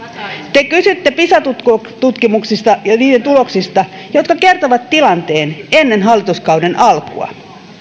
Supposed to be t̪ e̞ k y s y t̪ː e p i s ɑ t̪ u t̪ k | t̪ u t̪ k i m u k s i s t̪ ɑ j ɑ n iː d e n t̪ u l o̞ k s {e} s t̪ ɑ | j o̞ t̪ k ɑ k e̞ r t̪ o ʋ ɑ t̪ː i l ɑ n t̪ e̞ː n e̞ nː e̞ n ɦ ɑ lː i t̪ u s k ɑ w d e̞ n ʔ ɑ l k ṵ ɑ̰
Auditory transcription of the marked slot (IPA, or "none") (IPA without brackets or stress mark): i